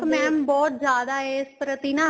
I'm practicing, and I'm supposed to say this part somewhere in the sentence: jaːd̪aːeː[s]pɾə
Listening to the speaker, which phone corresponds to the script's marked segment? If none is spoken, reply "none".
s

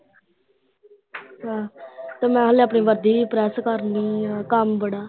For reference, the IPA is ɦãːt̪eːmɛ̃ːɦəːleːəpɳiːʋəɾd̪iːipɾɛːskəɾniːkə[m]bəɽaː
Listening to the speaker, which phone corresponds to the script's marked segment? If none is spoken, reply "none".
m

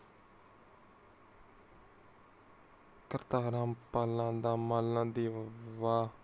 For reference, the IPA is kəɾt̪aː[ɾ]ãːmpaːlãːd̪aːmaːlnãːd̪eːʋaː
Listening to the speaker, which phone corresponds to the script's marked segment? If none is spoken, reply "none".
ɾ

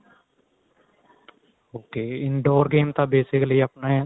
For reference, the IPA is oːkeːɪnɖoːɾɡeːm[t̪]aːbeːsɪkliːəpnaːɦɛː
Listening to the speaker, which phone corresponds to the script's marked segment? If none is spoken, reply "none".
t̪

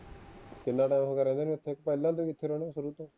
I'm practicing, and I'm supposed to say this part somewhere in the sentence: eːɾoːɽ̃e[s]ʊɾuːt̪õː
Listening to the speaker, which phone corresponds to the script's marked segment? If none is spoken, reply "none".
s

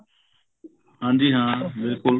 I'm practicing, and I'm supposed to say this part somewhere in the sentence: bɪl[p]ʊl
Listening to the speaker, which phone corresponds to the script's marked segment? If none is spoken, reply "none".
k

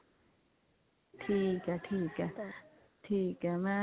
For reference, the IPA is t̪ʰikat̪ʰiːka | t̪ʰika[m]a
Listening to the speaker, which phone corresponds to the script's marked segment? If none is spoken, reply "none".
m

